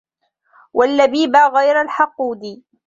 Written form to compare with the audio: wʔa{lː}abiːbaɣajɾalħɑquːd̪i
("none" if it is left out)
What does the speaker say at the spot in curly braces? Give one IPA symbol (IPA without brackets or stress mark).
lː